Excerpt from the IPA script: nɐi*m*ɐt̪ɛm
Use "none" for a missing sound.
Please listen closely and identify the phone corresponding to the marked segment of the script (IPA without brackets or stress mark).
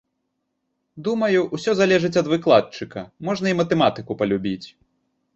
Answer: m